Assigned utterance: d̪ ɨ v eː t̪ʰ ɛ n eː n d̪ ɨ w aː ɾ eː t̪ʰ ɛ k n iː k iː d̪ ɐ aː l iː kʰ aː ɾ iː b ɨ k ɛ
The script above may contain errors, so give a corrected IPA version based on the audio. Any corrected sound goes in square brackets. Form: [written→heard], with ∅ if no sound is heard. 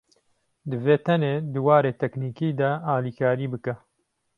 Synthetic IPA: d̪ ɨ v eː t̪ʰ ɛ n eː [n→∅] d̪ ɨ w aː ɾ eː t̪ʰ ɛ k n iː k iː d̪ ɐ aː l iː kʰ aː ɾ iː b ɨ k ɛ